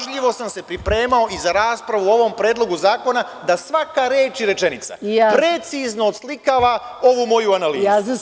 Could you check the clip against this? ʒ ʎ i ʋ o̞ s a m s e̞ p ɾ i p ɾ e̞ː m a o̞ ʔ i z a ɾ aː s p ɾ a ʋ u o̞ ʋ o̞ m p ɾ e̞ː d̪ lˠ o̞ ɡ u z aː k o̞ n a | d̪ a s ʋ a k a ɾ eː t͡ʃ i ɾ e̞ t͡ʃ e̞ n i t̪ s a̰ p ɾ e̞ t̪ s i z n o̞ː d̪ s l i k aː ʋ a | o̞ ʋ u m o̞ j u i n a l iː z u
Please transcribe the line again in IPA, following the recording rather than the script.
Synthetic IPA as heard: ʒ ʎ i ʋ o̞ s a m s e̞ p ɾ i p ɾ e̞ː m a o̞ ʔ i z a ɾ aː s p ɾ a ʋ u o̞ ʋ o̞ m p ɾ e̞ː d̪ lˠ o̞ ɡ u z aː k o̞ n a | d̪ a s ʋ a k a ɾ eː t͡ʃ i ɾ e̞ t͡ʃ e̞ n i t̪ s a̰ p ɾ e̞ t̪ s i z n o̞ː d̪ s l i k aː ʋ a | o̞ ʋ u m o̞ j u a n a l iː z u